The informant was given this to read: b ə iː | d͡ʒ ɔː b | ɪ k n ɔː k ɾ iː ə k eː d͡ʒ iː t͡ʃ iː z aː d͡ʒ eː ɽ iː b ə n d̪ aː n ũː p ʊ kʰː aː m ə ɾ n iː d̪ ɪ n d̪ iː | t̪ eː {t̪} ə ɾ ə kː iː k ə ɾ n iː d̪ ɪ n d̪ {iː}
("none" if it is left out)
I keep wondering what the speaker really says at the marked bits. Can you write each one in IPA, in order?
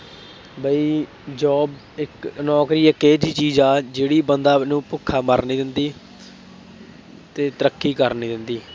t̪, iː

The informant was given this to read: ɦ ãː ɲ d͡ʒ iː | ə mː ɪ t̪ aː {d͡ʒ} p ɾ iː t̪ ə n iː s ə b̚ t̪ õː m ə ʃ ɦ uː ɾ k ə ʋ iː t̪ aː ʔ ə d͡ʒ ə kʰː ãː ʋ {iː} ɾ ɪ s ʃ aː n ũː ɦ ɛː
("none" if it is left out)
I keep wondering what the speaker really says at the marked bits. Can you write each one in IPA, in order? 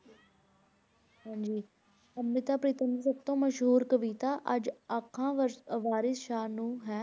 none, aː

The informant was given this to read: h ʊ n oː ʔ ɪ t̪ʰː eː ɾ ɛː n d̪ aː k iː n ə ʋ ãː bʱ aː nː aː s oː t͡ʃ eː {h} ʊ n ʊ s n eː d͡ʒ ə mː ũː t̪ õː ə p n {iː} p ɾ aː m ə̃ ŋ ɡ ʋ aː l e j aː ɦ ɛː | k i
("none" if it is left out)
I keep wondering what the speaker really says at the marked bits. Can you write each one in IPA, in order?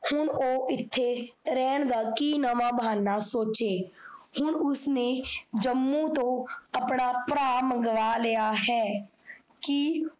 h, aː

